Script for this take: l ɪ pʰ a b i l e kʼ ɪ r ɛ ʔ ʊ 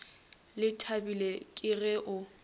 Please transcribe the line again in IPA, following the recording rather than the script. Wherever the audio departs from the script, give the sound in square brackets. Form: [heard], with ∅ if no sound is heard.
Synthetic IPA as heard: l ɪ [tʰ] a b i l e kʼ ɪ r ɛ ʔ ʊ